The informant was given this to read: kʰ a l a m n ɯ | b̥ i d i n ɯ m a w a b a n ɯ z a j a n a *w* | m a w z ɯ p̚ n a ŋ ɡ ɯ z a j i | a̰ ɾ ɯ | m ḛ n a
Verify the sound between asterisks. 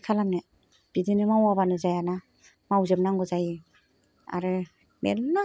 incorrect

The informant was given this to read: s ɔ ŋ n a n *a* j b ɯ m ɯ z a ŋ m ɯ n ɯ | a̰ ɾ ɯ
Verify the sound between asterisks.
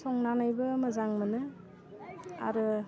correct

